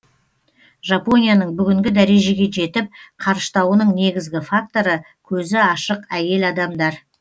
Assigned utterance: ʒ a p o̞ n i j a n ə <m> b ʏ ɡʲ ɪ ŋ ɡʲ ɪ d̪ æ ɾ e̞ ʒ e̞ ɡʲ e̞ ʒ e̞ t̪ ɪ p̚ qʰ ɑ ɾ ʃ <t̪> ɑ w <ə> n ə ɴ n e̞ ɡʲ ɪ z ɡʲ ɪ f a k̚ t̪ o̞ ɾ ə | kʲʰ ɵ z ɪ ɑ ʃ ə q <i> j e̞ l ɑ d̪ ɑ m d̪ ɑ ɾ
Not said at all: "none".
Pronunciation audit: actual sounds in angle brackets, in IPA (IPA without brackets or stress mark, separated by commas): ɴ, t̪, ə, æ